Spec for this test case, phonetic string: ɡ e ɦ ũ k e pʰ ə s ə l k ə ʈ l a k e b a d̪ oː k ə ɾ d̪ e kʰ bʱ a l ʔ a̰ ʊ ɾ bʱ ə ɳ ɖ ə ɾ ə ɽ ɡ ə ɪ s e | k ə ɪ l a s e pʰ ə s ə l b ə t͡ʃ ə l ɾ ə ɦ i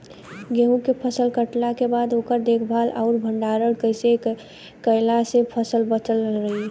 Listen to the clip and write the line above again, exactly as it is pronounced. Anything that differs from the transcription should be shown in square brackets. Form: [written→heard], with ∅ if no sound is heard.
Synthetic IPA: ɡ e ɦ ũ k e pʰ ə s ə l k ə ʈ l a k e b a d̪ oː k ə ɾ d̪ e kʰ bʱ a l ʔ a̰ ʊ ɾ bʱ ə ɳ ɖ [ə→a] ɾ ə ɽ [ɡ→k] ə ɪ s e | k ə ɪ l a s e pʰ ə s ə l b ə t͡ʃ ə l ɾ ə ɦ i